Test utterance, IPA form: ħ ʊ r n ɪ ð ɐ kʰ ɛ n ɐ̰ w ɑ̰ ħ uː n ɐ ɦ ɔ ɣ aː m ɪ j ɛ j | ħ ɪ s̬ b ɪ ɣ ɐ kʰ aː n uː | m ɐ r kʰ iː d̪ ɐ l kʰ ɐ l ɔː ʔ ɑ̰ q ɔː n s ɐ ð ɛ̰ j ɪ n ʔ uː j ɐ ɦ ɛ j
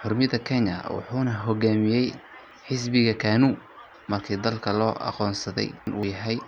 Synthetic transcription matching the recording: ħ ʊ r m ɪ ð ɐ kʰ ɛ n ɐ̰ w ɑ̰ ħ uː n ɐ ɦ ɔ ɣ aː m ɪ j ɛ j | ħ ɪ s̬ b ɪ ɣ ɐ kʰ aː n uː | m ɐ r kʰ iː d̪ ɐ l kʰ ɐ l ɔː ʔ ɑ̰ q ɔː n s ɐ ð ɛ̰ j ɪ n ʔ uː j ɐ ɦ ɛ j